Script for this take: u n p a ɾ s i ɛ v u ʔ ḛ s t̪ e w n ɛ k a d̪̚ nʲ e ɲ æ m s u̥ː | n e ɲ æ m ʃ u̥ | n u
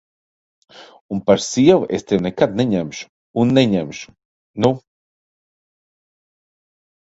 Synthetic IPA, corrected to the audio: u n p a ɾ s i ɛ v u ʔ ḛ s t̪ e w n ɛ k a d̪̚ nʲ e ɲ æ m ʃ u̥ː | nː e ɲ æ m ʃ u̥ | n u